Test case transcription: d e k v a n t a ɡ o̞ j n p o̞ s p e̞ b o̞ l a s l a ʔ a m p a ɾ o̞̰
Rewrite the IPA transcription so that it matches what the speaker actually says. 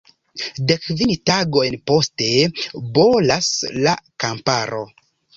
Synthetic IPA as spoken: d e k v i n t a ɡ o̞ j n p o̞ s t e̞ b o̞ l a s l a k a m p a ɾ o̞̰

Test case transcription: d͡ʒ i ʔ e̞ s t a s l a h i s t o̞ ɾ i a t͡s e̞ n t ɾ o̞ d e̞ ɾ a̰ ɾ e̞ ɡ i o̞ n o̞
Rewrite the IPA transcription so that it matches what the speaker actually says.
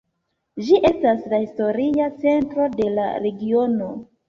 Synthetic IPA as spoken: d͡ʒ i ʔ e̞ s t a s l a h i s t o̞ ɾ i a t͡s e̞ n t ɾ o̞ d e̞ l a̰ ɾ e̞ ɡ i o̞ n o̞

